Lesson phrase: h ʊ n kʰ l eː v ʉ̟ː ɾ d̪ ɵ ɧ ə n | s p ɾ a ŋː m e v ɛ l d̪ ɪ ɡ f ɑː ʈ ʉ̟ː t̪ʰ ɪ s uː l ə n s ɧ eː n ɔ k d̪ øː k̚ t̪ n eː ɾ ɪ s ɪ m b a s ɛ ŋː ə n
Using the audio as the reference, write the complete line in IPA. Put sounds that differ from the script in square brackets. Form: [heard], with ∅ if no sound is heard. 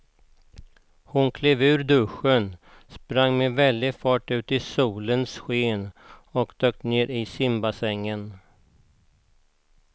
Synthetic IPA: h ʊ n kʰ l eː v ʉ̟ː ɾ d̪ ɵ ɧ ə n | s p ɾ a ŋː m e v ɛ l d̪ ɪ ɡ f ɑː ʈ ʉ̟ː [t̪] ɪ s uː l ə n s ɧ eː n ɔ k d̪ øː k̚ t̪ n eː ɾ ɪ s ɪ m b a s ɛ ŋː ə n